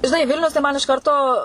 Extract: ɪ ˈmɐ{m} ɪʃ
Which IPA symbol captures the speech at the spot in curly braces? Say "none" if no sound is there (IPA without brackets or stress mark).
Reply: n